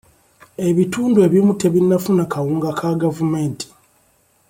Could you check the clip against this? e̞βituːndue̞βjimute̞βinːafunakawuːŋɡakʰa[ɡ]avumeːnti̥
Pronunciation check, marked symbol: correct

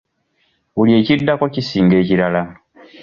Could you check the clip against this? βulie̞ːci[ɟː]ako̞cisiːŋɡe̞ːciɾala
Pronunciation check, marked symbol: incorrect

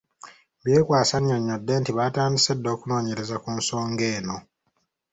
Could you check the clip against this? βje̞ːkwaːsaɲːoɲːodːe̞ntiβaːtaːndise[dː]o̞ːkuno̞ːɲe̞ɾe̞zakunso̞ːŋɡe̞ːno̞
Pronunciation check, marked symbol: correct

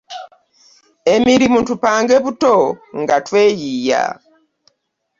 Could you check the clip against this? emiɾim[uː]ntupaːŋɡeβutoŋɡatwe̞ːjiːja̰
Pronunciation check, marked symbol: incorrect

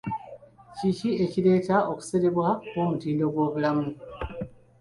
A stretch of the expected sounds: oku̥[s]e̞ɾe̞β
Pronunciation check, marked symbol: correct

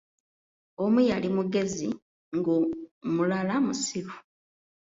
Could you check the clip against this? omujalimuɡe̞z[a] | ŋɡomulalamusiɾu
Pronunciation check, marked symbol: incorrect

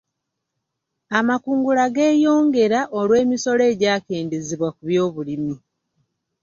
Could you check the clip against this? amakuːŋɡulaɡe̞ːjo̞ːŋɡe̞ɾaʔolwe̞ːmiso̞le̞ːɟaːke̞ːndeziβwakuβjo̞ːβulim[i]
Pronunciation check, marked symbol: correct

